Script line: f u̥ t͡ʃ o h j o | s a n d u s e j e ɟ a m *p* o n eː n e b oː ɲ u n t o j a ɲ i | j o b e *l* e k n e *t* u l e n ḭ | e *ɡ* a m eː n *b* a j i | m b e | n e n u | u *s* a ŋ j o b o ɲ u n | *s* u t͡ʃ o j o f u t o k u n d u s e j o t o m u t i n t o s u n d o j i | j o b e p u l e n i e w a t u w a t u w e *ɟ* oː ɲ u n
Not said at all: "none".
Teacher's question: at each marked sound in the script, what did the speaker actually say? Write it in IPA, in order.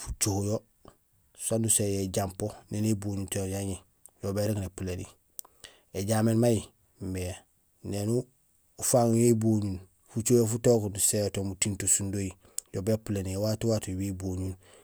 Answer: p, ɾ, p, ɟ, m, f, f, b

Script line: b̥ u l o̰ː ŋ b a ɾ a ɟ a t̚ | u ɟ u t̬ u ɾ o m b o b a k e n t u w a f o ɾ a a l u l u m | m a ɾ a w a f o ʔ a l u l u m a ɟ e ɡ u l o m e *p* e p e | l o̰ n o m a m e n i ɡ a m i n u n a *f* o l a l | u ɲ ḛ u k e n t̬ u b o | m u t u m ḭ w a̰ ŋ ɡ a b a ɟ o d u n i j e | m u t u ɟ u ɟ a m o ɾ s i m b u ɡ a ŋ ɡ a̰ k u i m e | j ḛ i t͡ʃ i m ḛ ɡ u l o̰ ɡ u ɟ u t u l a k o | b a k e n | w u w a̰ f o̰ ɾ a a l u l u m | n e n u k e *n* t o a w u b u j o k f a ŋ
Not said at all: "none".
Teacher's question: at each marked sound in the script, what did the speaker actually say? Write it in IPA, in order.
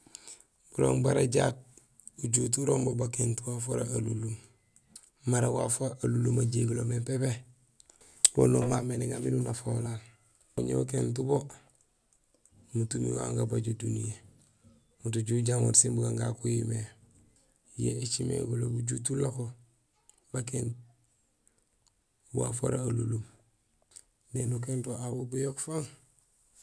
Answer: p, f, n

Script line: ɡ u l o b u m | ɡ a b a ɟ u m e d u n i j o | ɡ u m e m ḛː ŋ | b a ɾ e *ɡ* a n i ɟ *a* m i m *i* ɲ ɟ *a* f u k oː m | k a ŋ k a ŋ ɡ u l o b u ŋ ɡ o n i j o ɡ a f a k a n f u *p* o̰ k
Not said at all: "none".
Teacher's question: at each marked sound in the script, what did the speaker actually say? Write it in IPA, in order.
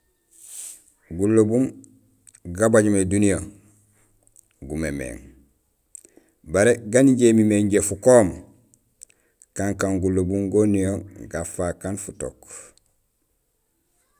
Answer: ɡ, e, e, e, t

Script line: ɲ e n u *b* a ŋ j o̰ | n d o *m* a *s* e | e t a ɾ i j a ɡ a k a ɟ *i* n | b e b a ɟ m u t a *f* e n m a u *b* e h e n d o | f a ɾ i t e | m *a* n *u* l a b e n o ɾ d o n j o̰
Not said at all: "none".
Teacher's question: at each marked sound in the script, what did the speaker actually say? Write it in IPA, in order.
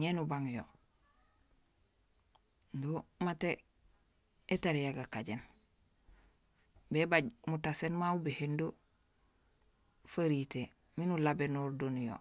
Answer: b, m, t, e, s, b, i, u

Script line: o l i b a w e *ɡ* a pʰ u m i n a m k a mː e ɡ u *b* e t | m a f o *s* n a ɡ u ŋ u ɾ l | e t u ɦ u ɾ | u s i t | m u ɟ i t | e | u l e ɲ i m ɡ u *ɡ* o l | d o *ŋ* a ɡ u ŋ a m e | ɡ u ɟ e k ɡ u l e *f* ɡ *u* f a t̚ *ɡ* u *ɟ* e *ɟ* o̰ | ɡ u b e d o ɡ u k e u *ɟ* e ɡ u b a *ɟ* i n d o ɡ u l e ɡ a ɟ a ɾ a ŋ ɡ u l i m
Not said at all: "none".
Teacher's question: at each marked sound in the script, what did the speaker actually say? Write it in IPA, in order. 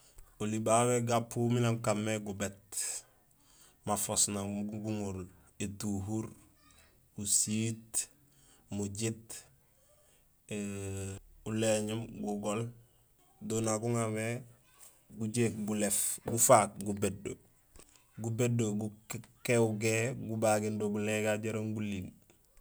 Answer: ɡ, b, s, ɡ, n, f, u, ɡ, b, d, ɡ, ɡ

